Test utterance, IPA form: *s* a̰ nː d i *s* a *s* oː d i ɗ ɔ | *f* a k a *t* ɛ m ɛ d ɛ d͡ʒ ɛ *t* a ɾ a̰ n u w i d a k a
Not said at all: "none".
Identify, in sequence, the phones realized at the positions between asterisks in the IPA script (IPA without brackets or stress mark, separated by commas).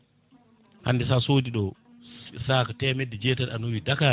h, s, s, s, t, t